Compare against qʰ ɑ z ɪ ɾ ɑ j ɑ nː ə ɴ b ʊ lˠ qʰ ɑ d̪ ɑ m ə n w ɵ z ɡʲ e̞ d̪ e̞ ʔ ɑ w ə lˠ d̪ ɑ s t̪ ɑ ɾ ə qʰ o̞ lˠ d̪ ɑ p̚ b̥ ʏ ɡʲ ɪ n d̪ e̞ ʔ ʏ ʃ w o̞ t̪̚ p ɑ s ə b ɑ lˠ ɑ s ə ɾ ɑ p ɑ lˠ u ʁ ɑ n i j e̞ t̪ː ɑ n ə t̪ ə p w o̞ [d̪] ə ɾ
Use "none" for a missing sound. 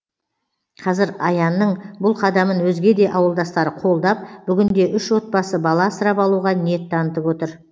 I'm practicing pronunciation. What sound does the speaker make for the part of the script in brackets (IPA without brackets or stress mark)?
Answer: t̪